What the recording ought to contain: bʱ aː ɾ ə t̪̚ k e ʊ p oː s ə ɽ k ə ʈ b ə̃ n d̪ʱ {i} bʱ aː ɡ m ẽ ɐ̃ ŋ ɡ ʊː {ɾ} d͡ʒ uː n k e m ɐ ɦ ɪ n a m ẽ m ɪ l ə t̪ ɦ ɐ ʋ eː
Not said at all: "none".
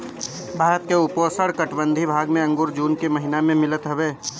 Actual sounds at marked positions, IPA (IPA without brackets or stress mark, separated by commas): i, ɾ